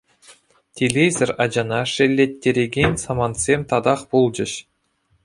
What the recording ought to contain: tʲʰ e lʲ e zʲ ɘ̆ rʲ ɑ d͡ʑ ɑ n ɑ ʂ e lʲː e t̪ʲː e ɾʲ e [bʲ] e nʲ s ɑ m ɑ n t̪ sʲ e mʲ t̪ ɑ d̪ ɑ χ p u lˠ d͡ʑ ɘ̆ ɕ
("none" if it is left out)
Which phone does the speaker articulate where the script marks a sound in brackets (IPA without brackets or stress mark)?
ɡʲ